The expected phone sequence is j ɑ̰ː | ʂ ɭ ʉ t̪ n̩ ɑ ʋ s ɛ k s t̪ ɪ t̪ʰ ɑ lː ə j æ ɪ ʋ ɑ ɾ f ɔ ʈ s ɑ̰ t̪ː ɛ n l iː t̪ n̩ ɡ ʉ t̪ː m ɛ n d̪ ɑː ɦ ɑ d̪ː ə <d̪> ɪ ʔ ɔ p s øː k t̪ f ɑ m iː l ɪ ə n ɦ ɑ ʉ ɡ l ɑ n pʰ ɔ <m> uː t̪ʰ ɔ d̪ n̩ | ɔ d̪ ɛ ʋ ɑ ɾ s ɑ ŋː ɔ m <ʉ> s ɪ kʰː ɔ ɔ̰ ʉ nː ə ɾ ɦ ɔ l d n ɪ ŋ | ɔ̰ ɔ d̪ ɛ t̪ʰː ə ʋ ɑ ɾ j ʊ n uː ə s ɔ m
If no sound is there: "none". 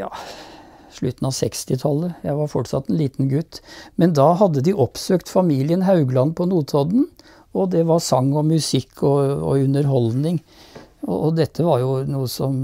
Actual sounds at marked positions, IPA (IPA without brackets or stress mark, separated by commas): d̪, n, ʉ